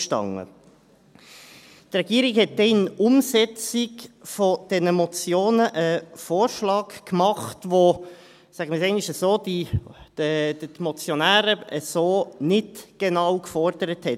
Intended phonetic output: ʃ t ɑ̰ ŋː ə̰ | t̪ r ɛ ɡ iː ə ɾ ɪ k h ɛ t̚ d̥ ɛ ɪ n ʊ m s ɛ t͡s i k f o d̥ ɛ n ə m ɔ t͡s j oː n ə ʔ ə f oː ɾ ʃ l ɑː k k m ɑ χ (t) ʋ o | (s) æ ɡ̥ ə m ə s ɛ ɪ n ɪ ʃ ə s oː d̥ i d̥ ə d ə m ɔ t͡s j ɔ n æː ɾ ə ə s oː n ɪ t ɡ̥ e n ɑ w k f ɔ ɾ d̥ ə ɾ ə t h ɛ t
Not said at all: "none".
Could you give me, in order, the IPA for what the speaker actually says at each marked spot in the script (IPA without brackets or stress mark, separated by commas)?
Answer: t, s